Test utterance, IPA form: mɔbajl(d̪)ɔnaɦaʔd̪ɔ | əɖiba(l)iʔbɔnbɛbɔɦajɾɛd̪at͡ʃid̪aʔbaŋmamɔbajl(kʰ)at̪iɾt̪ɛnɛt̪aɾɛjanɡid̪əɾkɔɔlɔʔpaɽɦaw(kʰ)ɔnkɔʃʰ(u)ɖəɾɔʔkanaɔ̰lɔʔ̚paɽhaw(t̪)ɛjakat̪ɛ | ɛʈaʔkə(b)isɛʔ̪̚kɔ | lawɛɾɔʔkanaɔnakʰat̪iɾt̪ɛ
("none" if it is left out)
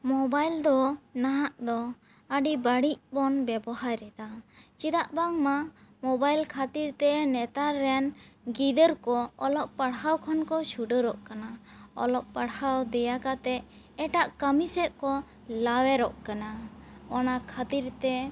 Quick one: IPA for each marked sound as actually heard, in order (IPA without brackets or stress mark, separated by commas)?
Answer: d̪, ɽ, kʰ, kʰ, u, d̪, m